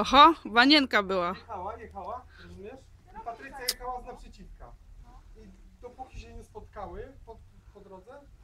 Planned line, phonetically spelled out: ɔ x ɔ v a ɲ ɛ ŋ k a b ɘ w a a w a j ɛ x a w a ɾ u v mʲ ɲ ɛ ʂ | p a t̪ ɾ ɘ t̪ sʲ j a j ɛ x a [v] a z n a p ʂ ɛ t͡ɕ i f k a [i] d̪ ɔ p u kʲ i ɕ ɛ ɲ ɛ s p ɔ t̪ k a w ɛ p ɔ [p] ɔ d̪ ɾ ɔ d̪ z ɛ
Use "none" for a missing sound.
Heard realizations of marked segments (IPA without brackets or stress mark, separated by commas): w, i, p